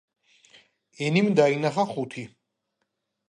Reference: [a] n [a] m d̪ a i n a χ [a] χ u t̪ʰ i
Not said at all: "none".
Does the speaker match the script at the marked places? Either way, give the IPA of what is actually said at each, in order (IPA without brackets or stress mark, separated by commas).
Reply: ɛ, i, a